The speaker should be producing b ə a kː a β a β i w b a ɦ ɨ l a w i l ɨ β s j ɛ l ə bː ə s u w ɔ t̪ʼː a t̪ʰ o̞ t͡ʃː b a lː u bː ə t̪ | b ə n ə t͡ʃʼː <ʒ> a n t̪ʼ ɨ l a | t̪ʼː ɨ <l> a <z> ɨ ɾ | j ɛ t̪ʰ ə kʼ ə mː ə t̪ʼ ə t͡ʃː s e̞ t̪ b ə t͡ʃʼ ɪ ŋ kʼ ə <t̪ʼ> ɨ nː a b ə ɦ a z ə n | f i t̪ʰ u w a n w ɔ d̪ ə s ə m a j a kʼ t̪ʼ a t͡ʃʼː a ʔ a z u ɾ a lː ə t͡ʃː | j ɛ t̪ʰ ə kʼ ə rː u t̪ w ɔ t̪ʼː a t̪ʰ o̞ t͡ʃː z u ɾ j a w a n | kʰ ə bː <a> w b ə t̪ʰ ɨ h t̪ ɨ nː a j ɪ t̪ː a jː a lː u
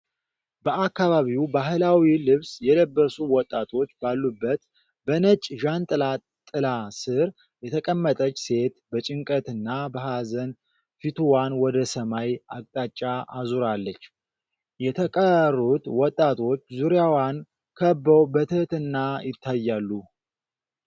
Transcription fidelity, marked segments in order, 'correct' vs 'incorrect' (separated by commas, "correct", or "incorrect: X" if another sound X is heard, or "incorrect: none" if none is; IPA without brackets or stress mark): correct, correct, incorrect: s, incorrect: t̪, incorrect: ə